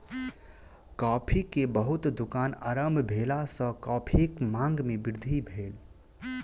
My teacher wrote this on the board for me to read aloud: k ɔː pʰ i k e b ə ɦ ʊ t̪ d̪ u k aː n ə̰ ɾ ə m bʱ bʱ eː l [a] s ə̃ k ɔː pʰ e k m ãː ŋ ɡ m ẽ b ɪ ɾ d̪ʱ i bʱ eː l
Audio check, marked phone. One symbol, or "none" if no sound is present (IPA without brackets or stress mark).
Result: a